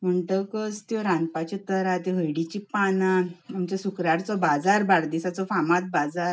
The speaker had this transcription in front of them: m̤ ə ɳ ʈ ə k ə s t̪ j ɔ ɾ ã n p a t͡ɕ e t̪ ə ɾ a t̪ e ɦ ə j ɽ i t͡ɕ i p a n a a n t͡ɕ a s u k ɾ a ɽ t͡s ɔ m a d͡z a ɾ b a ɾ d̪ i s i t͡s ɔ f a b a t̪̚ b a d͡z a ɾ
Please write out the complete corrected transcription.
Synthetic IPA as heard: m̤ ə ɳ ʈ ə k ə s t̪ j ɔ ɾ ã n p a t͡ɕ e t̪ ə ɾ a t̪ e ɦ ə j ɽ i t͡ɕ i p a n a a m t͡ɕ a s u k ɾ a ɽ t͡s ɔ b a d͡z a ɾ b a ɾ d̪ i s a t͡s ɔ f a m a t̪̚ b a d͡z a ɾ